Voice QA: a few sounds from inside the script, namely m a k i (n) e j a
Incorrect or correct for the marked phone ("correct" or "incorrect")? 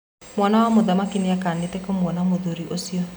correct